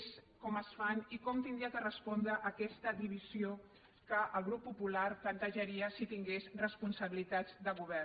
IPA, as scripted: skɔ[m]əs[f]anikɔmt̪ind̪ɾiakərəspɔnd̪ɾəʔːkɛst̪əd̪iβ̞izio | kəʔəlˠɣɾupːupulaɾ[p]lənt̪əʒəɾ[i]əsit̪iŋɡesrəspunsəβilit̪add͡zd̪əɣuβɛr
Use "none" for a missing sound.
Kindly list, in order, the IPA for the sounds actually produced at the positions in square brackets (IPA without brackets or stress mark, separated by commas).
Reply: m, f, p, i